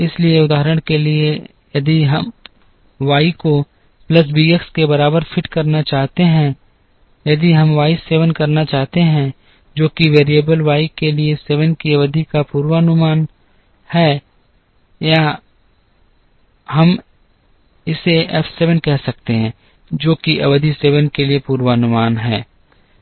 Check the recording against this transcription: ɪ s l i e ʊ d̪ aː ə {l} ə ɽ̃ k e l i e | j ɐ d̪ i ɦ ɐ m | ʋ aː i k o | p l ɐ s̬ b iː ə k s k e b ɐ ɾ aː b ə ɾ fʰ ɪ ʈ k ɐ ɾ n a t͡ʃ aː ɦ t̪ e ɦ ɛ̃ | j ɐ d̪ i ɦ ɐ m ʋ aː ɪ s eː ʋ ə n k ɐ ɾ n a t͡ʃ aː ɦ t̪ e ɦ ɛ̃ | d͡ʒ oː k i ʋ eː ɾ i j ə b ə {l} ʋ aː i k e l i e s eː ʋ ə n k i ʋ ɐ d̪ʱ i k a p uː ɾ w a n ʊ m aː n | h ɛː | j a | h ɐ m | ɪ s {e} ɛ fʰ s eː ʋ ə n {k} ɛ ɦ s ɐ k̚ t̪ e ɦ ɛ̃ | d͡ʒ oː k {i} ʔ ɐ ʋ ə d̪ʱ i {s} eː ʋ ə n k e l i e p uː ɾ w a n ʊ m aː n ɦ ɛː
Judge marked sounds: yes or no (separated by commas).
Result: no, yes, yes, yes, yes, yes